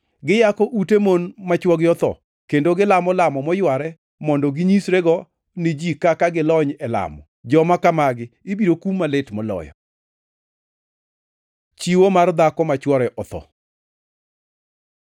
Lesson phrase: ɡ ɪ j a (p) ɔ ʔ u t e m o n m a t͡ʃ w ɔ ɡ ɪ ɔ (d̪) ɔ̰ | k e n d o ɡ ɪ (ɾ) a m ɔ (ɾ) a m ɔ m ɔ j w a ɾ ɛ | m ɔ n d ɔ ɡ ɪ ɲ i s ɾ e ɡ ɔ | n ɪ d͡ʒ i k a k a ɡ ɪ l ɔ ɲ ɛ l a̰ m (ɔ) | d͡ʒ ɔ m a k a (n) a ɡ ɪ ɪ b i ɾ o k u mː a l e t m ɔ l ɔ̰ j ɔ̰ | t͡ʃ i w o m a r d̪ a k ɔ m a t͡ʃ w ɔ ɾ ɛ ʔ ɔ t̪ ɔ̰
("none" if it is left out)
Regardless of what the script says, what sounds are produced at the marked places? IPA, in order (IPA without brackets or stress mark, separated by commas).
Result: k, t̪, l, l, ɔ, m